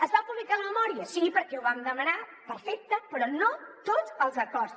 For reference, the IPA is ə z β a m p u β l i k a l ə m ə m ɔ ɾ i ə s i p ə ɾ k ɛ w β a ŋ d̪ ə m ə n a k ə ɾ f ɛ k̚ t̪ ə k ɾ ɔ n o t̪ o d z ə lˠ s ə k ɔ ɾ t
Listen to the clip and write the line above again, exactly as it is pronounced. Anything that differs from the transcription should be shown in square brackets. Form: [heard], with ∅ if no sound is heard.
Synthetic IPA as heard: ə z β a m p u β l i k a l ə m ə m ɔ ɾ i ə s i p ə ɾ k ɛ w β a [m] d̪ ə m ə n a [p] ə ɾ f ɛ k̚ t̪ ə [p] ɾ ɔ n o t̪ o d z ə lˠ [z] ə k ɔ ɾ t